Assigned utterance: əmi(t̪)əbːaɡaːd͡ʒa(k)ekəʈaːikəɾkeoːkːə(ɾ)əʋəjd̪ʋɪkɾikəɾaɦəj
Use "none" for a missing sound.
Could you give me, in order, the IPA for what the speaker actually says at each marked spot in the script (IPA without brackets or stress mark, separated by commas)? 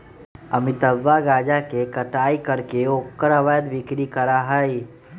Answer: t̪, k, ɾ